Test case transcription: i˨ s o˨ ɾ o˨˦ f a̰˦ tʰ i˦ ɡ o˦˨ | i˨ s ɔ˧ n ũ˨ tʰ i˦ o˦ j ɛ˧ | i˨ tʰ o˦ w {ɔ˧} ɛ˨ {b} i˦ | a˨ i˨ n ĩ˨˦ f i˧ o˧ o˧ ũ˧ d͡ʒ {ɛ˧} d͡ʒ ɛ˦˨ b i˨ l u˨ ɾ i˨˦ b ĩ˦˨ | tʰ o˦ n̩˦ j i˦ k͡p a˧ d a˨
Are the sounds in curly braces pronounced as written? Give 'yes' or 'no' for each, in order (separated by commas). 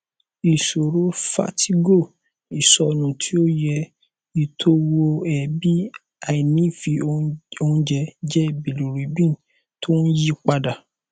no, yes, yes